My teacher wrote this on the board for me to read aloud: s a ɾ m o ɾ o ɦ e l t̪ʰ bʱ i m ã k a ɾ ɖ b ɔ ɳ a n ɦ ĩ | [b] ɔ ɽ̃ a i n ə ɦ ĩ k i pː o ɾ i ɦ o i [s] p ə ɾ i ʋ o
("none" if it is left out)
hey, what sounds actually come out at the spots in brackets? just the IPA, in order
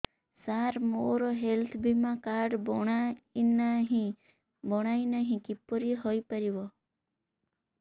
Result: b, none

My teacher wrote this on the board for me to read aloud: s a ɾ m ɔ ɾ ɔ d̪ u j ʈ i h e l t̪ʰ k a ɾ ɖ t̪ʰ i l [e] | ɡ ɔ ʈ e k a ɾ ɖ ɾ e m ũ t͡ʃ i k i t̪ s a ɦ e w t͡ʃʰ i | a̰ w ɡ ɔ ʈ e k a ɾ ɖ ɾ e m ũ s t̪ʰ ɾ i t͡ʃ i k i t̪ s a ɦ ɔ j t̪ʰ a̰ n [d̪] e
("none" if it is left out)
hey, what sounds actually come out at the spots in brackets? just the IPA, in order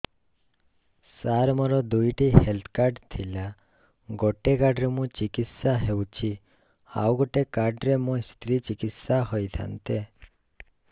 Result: a, t̪

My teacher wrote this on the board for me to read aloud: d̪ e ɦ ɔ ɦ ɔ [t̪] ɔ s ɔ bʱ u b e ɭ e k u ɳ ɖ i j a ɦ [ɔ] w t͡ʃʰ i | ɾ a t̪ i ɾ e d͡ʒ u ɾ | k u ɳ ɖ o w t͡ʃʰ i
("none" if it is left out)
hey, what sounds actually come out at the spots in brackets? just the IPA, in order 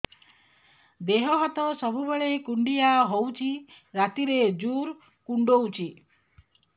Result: t̪, o

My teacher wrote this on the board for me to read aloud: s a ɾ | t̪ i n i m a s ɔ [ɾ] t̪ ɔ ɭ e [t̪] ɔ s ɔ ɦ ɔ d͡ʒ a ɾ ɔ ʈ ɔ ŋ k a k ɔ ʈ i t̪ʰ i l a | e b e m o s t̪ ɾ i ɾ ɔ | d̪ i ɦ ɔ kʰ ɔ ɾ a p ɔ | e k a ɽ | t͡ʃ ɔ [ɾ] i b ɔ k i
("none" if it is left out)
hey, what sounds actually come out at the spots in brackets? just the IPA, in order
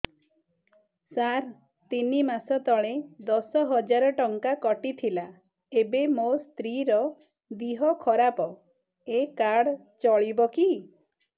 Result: none, d̪, ɭ

